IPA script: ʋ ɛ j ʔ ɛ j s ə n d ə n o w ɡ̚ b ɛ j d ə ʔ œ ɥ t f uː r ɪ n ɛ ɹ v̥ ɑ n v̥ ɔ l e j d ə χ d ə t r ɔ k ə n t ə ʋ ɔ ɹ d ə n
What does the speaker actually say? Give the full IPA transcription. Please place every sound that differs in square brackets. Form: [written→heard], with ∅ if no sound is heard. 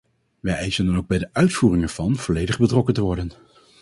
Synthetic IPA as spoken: ʋ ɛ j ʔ ɛ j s ə n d [ə→ɑ] n o w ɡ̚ b ɛ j d ə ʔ œ ɥ t f uː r ɪ [n→ŋ] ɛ ɹ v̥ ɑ n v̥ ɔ l e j d ə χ [d→b] ə t r ɔ k ə n t ə ʋ ɔ ɹ d ə n